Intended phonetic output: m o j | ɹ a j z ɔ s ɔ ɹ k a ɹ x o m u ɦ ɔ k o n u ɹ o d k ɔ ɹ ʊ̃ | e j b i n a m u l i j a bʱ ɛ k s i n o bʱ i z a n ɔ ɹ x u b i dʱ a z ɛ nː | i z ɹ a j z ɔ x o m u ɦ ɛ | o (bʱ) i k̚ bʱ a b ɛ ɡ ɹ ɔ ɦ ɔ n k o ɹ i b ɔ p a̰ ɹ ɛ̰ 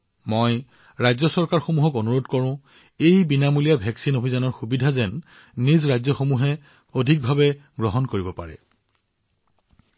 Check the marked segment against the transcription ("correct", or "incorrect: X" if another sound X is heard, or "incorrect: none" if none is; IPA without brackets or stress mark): incorrect: dʱ